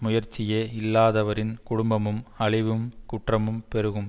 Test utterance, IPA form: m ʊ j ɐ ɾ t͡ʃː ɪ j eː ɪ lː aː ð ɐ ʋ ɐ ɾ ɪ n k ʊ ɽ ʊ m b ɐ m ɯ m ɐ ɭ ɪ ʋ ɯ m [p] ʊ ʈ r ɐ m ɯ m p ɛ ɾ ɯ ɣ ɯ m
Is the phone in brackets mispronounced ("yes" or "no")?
yes